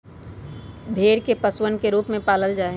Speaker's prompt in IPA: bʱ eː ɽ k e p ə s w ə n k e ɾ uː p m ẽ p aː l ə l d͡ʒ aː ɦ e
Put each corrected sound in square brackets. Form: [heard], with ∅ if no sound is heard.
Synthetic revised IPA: bʱ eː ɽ k e p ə s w ə n k e ɾ uː p m ẽ p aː l ə l d͡ʒ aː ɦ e